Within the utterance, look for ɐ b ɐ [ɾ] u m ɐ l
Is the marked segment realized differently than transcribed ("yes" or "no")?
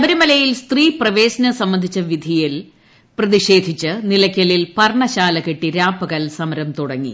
no